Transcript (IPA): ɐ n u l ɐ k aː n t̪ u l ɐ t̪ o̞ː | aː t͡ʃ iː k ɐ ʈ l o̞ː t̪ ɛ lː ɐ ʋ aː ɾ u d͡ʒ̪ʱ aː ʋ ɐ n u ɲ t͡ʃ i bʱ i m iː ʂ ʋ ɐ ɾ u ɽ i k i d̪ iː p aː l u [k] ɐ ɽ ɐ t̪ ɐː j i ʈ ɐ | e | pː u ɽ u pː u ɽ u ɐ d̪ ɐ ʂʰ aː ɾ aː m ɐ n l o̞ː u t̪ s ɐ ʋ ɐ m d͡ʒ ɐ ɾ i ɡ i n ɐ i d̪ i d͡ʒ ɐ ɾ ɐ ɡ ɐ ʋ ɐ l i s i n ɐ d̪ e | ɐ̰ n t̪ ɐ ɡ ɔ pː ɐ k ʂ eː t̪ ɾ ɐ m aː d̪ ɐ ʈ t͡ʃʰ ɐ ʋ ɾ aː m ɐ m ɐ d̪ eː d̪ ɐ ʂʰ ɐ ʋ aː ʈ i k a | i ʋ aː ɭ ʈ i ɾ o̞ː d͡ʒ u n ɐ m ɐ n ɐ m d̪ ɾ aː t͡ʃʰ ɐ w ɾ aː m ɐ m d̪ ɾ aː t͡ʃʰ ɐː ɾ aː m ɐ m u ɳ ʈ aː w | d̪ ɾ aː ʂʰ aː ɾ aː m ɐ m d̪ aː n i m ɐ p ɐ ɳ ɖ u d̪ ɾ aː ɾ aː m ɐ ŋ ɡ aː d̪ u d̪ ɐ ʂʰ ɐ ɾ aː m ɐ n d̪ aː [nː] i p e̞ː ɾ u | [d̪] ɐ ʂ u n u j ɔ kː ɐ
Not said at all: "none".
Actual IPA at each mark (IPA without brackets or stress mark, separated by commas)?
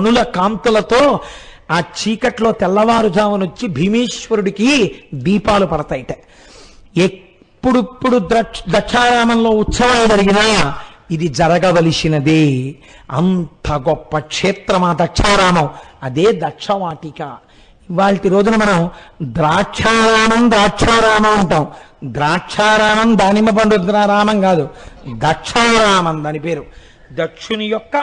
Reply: p, n, d̪